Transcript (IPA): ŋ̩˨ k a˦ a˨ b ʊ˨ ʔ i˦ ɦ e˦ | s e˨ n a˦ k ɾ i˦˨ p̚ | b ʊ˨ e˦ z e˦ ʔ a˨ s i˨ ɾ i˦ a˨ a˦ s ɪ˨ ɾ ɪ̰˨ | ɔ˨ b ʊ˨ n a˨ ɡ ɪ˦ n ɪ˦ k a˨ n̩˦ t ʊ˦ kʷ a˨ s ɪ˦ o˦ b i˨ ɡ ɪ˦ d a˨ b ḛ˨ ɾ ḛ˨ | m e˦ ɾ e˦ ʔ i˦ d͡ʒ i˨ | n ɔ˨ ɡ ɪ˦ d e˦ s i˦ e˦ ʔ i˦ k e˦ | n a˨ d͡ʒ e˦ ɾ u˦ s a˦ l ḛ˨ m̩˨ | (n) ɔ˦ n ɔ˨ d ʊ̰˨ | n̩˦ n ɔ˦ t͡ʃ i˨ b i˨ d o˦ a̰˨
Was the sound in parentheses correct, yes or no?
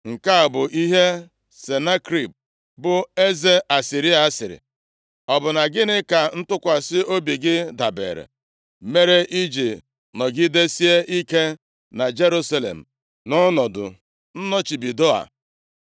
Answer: yes